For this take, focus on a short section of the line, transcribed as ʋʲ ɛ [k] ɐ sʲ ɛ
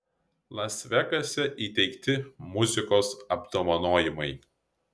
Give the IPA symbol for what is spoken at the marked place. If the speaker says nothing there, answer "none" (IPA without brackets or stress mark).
k